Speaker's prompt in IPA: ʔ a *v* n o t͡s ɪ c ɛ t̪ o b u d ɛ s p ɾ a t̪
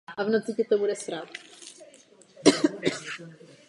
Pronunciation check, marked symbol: correct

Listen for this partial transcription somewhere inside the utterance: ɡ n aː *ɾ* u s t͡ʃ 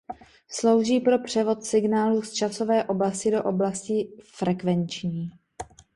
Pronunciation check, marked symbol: incorrect: l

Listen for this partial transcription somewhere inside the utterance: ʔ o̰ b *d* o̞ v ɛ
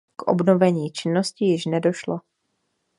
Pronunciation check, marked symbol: incorrect: n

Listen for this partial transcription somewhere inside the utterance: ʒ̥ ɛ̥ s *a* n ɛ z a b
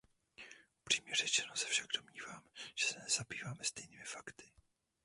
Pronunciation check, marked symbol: incorrect: ɛ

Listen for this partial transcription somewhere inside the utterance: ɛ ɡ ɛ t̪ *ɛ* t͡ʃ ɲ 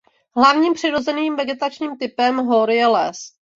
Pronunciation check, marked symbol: incorrect: a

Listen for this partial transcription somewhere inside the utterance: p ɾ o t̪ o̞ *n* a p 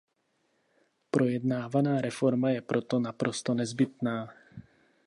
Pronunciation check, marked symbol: correct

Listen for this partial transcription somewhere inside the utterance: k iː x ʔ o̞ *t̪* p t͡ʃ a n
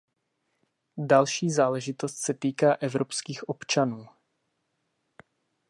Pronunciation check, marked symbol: incorrect: none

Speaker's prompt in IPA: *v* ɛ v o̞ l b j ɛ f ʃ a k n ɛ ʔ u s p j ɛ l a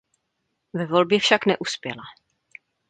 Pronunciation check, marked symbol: correct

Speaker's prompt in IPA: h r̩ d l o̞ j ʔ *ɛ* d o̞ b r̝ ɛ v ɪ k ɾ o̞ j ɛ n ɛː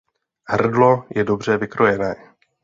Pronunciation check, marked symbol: correct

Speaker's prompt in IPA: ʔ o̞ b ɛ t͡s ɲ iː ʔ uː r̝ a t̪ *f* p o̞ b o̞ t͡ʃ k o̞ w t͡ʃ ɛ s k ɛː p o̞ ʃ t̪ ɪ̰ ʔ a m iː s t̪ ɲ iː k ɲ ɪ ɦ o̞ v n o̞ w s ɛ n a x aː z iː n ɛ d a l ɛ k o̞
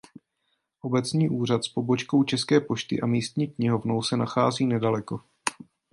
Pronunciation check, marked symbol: incorrect: s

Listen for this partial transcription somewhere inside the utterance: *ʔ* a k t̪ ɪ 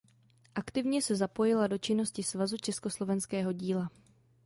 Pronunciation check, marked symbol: correct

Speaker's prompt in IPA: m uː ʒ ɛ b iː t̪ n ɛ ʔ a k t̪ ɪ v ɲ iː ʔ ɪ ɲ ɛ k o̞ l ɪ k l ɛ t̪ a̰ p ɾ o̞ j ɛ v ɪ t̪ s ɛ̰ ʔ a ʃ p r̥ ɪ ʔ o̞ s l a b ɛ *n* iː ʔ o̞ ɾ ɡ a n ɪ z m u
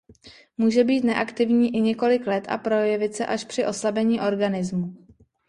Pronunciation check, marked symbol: incorrect: ɲ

